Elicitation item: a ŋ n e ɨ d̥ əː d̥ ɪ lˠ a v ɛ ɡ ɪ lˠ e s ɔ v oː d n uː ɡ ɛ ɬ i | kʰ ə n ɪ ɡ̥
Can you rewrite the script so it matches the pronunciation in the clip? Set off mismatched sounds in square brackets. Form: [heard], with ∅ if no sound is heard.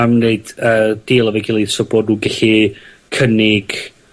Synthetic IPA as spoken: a [m] n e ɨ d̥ əː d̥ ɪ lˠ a v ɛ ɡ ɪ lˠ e s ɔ [b] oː d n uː ɡ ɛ ɬ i | kʰ ə n ɪ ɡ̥